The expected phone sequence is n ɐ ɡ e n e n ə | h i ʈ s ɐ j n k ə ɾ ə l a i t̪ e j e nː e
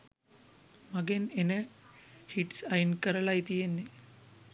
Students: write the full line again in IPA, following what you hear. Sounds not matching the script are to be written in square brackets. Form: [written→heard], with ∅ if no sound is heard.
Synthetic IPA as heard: [n→m] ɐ ɡ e n e n ə | h i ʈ s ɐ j n k ə ɾ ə l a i t̪ [e→i] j e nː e